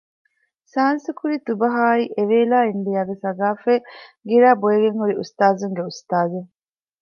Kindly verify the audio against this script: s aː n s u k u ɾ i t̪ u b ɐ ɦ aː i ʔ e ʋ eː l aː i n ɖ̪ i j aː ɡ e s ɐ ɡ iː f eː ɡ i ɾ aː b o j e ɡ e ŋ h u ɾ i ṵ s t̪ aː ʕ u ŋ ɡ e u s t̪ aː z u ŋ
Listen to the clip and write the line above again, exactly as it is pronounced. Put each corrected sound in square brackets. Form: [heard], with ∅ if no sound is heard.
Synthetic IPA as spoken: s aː n s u k u ɾ i t̪ u b ɐ ɦ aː i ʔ e ʋ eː l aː i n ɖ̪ i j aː ɡ e s ɐ ɡ [aː] f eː ɡ i ɾ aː b o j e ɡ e ŋ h u ɾ i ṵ s t̪ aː [z] u ŋ ɡ e u s t̪ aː z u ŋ